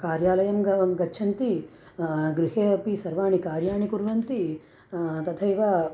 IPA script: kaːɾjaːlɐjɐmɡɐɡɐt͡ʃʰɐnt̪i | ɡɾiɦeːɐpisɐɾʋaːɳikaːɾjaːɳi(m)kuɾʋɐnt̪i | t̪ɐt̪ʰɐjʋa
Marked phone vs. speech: incorrect: none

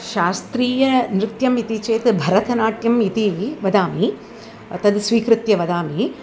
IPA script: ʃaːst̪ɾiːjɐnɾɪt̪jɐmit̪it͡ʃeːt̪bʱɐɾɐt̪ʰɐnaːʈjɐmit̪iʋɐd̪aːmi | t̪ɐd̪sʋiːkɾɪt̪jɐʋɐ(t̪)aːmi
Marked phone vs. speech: incorrect: d̪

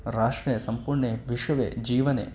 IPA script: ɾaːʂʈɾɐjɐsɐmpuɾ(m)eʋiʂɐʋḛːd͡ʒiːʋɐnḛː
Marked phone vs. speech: incorrect: ɳ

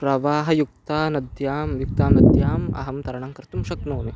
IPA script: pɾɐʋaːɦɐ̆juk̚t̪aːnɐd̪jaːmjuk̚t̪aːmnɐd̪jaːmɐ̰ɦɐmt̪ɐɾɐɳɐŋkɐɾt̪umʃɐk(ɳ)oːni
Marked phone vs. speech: incorrect: n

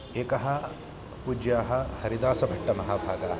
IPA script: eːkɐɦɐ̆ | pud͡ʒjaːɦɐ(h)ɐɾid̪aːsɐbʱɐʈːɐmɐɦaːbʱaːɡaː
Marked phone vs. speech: correct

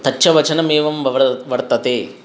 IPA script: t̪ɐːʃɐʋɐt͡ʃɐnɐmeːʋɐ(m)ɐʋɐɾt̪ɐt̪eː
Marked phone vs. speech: correct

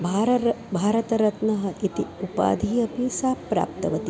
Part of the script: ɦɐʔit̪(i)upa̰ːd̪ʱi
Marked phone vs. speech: correct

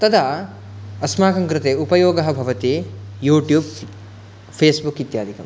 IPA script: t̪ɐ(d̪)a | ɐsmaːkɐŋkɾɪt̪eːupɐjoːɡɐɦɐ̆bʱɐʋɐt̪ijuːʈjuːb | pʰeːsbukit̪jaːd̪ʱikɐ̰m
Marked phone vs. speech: correct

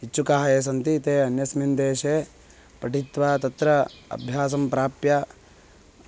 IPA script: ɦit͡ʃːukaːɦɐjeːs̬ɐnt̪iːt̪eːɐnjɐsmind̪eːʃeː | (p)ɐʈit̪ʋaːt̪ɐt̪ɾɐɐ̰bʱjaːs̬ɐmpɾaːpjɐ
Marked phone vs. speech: correct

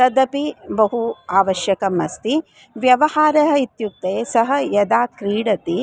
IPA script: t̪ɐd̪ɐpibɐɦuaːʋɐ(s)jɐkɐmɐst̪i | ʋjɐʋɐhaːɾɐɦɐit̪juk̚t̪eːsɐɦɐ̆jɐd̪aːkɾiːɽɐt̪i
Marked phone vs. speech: incorrect: ʃ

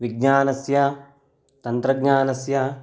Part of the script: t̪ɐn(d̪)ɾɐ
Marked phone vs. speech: incorrect: t̪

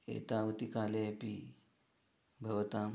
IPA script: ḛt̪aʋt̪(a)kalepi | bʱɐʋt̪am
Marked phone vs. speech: incorrect: i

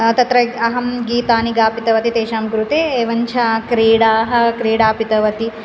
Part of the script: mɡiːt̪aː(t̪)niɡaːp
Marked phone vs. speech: incorrect: none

